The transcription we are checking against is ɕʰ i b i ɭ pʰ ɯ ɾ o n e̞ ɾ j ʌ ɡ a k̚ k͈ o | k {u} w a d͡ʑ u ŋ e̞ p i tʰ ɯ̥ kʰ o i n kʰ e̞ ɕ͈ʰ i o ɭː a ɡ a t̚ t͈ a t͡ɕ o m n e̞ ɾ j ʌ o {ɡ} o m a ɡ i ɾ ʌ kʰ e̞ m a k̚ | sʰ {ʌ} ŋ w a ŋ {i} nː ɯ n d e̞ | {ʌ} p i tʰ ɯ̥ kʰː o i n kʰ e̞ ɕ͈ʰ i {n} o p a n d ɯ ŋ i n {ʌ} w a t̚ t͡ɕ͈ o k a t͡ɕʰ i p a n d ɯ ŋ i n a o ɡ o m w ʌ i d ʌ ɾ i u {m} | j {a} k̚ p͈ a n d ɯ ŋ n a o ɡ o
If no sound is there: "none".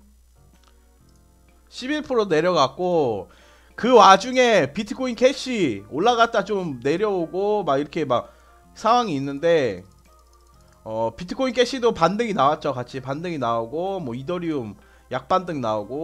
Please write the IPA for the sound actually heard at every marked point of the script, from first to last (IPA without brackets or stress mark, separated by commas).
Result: ɯ, ɡ, a, iː, ʌ, d, a, m, a